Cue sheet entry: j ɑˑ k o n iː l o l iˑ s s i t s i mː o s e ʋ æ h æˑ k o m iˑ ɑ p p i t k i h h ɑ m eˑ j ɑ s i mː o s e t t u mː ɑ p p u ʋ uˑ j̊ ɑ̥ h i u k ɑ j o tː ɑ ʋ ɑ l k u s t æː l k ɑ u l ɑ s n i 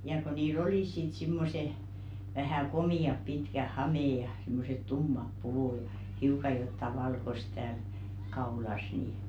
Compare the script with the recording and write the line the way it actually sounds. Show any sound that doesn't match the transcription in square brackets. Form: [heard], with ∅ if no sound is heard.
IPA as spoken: j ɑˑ k o n iː l o l iˑ s s i t s i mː o s e ʋ æ h æˑ k o m iˑ ɑ p p i t k [æ] h h ɑ m eˑ j ɑ s i mː o s e t t u mː ɑ p p u ʋ uˑ j̊ ɑ̥ h i u k ɑ j o tː ɑ ʋ ɑ l k [o] s t æː l k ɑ u l ɑ s n i